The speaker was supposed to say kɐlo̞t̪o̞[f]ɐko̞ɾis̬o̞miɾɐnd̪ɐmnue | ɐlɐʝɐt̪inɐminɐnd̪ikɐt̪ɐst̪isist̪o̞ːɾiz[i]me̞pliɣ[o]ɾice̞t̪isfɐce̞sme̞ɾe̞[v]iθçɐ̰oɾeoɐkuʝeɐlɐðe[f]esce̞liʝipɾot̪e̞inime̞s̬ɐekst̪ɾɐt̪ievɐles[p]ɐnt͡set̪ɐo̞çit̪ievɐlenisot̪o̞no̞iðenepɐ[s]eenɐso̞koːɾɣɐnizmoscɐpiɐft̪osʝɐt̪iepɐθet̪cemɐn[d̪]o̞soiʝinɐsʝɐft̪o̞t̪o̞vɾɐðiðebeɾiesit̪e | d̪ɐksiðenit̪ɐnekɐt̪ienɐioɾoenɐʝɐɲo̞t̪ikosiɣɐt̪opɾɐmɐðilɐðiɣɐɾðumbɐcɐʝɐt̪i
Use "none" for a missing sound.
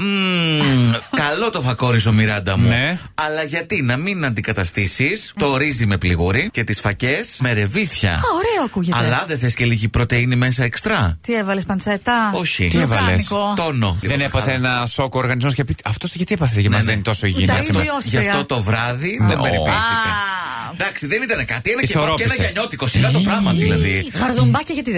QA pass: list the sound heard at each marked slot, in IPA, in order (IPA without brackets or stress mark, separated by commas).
f, i, u, v, θ, p, θ, t̪